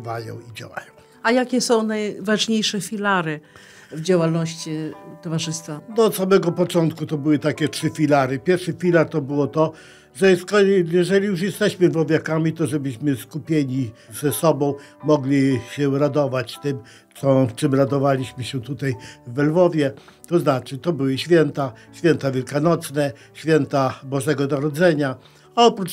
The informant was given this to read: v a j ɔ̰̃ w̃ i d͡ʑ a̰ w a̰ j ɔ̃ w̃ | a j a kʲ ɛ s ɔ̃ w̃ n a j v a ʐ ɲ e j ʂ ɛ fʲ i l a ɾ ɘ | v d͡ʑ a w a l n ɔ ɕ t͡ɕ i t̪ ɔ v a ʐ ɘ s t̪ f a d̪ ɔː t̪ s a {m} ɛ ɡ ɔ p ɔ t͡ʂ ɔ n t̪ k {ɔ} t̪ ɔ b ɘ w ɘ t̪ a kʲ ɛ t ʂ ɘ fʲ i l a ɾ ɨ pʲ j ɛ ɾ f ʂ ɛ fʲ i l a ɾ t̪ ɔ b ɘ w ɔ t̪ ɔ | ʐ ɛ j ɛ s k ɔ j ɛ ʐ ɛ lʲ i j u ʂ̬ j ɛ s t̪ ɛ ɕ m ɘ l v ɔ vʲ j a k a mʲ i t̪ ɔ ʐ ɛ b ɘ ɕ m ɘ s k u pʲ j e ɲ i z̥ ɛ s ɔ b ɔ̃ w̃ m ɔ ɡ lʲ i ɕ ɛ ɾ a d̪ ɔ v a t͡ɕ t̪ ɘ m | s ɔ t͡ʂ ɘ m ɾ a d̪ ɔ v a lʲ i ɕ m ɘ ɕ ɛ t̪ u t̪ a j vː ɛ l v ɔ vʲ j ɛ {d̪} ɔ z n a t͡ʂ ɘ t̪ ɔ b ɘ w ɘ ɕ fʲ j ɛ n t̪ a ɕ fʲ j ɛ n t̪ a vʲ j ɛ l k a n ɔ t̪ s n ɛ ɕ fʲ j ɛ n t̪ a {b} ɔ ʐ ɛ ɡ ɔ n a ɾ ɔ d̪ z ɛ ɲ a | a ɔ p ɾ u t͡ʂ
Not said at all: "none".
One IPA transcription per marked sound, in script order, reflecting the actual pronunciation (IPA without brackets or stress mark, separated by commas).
m, u, t̪, b